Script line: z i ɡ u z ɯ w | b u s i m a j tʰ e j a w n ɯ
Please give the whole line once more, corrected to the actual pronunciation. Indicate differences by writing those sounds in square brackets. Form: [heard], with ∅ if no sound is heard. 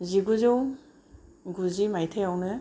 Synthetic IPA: z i ɡ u z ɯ w | [ɡ] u [z] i m a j tʰ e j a w n ɯ

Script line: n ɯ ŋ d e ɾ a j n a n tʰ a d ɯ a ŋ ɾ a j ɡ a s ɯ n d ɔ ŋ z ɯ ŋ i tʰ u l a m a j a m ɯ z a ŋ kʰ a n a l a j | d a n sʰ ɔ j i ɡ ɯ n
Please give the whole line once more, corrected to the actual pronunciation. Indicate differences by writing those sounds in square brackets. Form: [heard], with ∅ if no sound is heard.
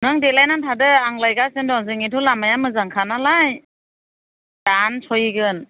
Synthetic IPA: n ɯ ŋ d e [l] a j n a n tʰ a d ɯ a ŋ [l] a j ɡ a s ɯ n d ɔ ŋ z ɯ ŋ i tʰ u l a m a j a m ɯ z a ŋ kʰ a n a l a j | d a n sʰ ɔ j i ɡ ɯ n

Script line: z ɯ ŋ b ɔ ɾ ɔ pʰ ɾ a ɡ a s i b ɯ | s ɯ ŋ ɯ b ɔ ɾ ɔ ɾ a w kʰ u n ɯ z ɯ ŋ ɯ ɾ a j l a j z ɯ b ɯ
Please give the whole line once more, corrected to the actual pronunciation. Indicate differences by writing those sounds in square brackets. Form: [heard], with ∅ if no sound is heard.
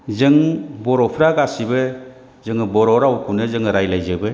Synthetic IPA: z ɯ ŋ b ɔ ɾ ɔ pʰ ɾ a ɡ a s i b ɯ | [z] ɯ ŋ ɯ b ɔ ɾ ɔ ɾ a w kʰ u n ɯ z ɯ ŋ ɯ ɾ a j l a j z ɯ b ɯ

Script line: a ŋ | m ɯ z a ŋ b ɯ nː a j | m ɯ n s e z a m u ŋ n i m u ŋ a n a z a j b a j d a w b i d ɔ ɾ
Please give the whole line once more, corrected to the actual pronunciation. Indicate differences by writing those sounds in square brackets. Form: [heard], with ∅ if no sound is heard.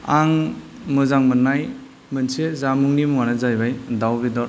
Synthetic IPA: a ŋ | m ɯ z a ŋ [m] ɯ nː a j | m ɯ n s e z a m u ŋ n i m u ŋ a n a z a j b a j d a w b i d ɔ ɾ

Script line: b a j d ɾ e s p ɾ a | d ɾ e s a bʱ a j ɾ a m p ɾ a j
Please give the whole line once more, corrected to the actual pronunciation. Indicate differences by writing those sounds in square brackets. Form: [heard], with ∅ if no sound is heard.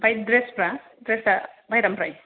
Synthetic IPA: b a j d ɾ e s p ɾ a | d ɾ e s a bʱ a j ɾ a m p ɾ a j

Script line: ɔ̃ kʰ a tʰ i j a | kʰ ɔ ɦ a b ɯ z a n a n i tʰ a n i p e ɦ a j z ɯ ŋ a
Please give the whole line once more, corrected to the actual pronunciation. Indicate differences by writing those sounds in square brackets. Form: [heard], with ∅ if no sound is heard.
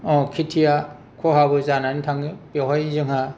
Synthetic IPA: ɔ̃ kʰ [i] tʰ i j a | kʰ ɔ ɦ a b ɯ z a n a n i tʰ a [ŋ] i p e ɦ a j z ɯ ŋ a

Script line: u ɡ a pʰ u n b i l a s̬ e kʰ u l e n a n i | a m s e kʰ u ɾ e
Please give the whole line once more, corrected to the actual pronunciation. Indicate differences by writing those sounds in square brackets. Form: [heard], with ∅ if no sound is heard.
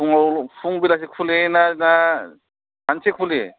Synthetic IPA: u [ŋ] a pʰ u [ŋ] b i l a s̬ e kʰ u l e n a n [a] | a [n] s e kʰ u [l] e

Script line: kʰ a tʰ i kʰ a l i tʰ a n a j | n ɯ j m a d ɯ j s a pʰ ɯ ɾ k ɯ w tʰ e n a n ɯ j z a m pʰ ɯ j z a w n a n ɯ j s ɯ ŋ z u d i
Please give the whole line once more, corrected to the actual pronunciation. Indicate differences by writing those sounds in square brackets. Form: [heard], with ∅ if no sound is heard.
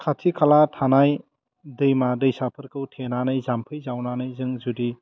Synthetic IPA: kʰ a tʰ i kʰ a l [a] tʰ a n a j | [d] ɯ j m a d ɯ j s a pʰ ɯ ɾ k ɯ w tʰ e n a n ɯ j z a m pʰ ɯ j z a w n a n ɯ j [z] ɯ ŋ z u d i

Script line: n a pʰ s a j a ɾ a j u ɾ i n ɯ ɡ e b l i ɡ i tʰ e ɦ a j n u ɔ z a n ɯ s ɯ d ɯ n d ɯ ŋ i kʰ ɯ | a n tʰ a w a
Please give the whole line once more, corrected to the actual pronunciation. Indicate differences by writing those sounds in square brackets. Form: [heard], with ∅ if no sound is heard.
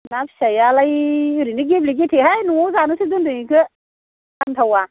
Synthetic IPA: n a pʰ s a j a [l] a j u ɾ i n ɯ ɡ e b l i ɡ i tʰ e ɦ a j n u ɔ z a n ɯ s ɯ d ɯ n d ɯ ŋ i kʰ ɯ | a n tʰ a w a

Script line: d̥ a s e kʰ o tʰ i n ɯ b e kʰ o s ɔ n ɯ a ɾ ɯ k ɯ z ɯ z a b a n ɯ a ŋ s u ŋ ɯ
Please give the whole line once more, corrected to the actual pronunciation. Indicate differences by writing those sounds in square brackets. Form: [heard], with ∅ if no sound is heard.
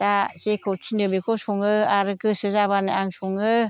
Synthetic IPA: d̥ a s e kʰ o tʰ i n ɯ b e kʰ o s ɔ [ŋ] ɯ a ɾ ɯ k ɯ [s] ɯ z a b a n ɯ a ŋ s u ŋ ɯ

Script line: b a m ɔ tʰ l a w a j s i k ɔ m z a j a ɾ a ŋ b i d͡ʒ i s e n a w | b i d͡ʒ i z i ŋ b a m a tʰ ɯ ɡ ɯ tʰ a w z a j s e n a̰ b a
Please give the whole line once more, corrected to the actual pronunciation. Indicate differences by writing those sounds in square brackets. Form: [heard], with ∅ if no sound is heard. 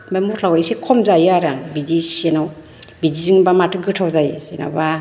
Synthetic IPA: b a m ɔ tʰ l a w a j s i [kʰ] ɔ m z a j a ɾ a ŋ b i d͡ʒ i s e n a w | b i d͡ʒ i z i ŋ b a m a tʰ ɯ ɡ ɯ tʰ a w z a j s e n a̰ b a

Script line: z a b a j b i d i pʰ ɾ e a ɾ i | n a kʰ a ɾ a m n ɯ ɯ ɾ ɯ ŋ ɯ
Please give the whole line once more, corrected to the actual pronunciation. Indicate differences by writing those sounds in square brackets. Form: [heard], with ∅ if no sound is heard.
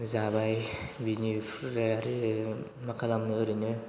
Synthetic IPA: z a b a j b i [n] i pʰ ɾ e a ɾ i | [m] a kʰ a [l] a m n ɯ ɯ ɾ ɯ [n] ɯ

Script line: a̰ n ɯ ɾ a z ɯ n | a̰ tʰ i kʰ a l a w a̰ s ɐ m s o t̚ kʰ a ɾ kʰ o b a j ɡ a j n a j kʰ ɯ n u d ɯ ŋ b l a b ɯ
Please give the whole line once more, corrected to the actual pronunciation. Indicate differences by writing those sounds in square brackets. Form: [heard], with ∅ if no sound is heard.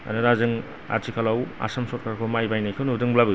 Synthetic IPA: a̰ n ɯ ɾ a z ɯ [ŋ] | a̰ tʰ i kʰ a l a w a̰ s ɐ m s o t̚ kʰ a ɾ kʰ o [m] a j [b] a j n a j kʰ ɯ n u d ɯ ŋ b l a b ɯ

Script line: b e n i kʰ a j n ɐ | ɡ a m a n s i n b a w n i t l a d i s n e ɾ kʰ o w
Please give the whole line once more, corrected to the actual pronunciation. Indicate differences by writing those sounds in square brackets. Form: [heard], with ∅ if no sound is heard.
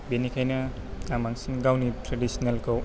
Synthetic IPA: b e n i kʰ a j n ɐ | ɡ a m a [ŋ] s i n [ɡ] a w n i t [ɾ] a d i s n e [l] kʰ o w

